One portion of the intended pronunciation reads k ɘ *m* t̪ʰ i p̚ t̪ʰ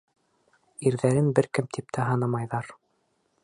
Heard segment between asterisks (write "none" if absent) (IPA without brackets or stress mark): m